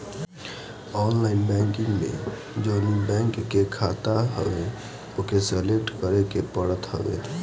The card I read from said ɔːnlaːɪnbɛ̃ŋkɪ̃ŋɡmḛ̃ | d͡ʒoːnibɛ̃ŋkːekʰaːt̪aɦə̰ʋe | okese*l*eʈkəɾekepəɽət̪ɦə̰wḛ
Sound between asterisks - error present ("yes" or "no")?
no